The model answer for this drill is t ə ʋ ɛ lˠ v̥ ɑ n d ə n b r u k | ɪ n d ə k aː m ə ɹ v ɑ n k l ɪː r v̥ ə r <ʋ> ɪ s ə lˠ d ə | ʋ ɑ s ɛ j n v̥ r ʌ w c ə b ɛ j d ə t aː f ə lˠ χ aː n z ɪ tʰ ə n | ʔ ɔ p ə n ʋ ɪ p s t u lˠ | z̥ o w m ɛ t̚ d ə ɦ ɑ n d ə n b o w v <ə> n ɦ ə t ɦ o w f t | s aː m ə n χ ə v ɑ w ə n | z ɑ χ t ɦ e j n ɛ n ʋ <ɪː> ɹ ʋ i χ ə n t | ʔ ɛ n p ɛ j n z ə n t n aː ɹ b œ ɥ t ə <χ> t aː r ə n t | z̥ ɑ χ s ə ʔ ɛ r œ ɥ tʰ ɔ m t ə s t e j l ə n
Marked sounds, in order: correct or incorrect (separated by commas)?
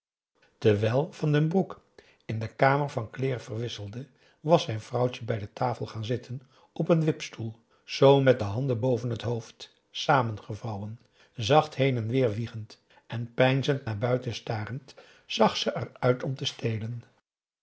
correct, correct, correct, incorrect